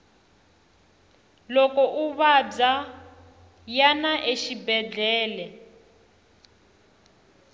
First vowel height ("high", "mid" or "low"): mid